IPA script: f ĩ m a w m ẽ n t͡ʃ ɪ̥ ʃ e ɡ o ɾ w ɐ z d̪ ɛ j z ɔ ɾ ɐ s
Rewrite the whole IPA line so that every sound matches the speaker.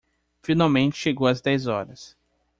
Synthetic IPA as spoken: f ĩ n a w m ẽ n t͡ʃ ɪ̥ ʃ e ɡ o w ɐ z d̪ ɛ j z ɔ ɾ ɐ s